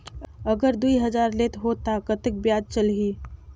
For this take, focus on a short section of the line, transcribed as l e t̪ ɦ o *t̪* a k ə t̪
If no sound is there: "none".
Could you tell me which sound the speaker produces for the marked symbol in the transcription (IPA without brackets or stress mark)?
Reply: t̪